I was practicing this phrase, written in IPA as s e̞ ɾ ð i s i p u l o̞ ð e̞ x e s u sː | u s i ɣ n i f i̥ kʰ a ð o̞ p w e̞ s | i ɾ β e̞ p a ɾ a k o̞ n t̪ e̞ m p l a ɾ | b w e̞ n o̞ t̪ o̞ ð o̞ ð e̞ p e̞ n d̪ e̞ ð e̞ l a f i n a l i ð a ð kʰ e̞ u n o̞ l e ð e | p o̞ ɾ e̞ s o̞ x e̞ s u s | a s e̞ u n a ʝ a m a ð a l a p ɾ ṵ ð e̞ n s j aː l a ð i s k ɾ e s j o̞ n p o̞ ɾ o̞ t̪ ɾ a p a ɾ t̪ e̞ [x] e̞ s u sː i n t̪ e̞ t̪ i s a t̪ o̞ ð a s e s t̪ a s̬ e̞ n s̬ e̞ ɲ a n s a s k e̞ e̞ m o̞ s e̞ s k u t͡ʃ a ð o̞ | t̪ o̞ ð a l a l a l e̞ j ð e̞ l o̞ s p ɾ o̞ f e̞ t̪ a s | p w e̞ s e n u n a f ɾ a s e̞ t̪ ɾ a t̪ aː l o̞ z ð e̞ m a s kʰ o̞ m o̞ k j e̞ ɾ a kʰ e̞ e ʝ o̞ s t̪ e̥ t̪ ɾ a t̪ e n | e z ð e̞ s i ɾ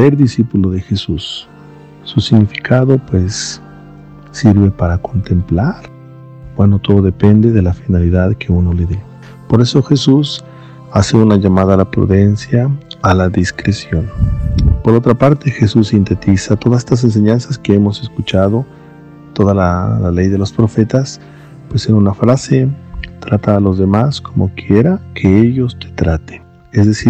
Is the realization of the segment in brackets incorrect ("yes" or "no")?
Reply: no